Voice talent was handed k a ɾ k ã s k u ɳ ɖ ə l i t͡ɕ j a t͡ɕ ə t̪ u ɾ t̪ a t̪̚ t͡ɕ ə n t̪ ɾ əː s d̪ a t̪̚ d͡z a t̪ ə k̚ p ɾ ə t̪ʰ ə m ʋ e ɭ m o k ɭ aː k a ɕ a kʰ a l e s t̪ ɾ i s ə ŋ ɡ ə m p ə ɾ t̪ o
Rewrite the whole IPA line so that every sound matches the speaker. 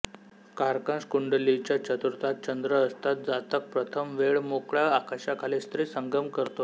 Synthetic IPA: k a ɾ k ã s k u ɳ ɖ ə l i t͡ɕ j a t͡ɕ ə t̪ u ɾ t̪ a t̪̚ t͡ɕ ə n d̪ ɾ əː s t̪ a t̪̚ d͡z a t̪ ə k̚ p ɾ ə t̪ʰ ə m ʋ e ɭ m o k ɭ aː k a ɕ a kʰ a l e s t̪ ɾ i s ə ŋ ɡ ə m k ə ɾ t̪ o